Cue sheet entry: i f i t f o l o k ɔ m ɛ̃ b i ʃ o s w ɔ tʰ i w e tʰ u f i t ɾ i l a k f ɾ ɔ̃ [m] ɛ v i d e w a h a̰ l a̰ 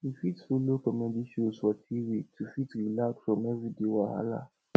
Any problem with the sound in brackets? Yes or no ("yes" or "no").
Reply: no